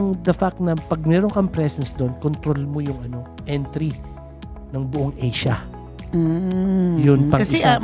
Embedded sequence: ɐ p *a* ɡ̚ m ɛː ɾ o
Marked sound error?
yes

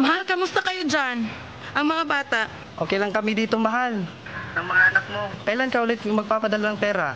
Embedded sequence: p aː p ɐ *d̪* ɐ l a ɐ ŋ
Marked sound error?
no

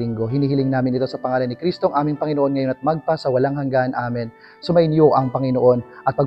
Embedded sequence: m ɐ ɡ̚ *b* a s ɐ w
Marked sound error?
yes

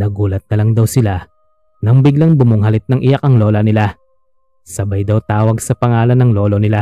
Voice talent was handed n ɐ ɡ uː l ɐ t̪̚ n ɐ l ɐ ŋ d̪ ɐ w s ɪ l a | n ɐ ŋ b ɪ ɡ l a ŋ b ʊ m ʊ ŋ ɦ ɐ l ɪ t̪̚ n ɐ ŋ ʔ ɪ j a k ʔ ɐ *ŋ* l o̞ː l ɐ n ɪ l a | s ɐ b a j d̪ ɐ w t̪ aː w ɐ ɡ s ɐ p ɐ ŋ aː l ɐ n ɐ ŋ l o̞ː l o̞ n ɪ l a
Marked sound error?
no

